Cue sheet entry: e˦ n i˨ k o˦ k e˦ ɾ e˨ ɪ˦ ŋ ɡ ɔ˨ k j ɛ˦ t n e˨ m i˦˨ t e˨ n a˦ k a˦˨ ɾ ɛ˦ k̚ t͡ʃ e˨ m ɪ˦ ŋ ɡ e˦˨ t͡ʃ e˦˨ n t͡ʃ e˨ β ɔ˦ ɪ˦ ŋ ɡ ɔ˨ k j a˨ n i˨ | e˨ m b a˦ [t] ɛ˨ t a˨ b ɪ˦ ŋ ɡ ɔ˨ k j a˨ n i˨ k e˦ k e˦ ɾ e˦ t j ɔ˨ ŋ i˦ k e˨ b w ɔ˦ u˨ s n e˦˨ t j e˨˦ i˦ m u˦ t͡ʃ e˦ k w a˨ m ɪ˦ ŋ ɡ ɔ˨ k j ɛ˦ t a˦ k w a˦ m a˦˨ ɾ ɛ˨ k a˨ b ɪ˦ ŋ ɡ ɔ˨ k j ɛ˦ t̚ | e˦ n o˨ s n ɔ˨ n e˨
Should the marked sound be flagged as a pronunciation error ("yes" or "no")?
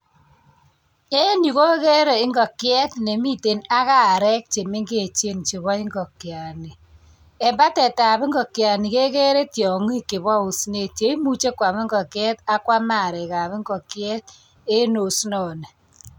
no